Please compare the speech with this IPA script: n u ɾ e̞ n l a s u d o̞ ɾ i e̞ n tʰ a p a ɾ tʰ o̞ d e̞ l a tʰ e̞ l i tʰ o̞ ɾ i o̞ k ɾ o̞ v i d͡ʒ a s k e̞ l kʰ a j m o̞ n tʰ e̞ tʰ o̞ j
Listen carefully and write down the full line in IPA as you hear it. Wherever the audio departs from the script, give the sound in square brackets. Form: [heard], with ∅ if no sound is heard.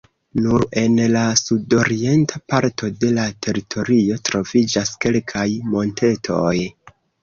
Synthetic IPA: n u ɾ e̞ n l a s u d o̞ ɾ i e̞ n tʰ a p a ɾ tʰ o̞ d e̞ l a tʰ e̞ [ɾ] i tʰ o̞ ɾ i o̞ [t] ɾ o̞ v i d͡ʒ a s k e̞ l kʰ a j m o̞ n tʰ e̞ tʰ o̞ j